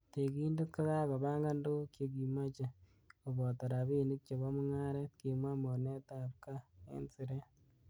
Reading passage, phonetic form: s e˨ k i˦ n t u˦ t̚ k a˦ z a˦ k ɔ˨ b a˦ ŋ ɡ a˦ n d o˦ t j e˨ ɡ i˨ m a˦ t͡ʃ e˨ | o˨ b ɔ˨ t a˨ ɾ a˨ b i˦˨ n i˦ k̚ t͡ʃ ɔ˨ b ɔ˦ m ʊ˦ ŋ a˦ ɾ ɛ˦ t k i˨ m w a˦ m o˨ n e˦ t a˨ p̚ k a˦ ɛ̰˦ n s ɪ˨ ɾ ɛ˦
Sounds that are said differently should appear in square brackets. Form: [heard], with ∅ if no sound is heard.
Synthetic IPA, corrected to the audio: [t] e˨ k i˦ n [d] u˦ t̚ k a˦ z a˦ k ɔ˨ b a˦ ŋ ɡ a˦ n d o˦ [k] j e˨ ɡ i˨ m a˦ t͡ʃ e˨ | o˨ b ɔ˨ t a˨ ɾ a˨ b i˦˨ n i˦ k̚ t͡ʃ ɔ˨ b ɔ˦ m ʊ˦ ŋ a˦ ɾ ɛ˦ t k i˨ m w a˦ m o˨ n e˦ t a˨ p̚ k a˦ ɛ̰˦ n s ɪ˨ ɾ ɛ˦

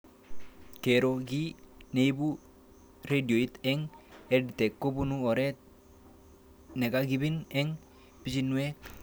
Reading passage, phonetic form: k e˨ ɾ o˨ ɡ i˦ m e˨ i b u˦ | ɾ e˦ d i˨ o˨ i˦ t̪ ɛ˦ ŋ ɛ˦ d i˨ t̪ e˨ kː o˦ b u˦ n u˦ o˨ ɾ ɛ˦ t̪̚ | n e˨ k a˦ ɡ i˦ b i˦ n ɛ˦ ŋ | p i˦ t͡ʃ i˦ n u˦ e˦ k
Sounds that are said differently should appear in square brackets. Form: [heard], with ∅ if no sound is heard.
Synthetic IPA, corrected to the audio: k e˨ ɾ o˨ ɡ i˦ [n] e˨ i b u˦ | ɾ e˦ d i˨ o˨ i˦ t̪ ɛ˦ ŋ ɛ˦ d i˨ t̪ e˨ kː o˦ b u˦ n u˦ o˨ ɾ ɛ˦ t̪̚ | n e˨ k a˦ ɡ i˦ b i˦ n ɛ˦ ŋ | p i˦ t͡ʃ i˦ n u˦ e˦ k

